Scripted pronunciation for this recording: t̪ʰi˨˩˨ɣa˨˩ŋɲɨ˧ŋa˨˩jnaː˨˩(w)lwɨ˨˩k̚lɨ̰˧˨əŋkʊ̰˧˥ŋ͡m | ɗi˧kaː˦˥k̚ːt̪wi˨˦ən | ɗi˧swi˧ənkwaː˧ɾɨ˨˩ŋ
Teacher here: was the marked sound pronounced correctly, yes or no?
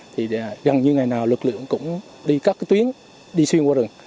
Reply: yes